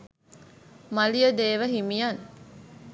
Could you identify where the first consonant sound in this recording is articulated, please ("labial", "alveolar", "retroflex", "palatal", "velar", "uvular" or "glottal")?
labial